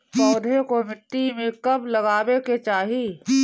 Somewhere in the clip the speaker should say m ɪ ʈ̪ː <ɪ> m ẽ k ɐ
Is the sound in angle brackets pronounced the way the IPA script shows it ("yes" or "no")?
no